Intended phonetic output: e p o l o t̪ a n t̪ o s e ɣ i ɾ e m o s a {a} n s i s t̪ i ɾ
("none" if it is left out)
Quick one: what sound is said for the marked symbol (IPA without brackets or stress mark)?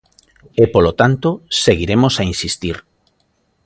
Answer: i